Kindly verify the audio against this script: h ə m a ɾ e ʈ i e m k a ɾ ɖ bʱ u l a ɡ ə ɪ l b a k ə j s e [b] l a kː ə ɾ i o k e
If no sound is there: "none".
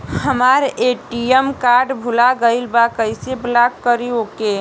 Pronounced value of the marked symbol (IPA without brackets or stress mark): b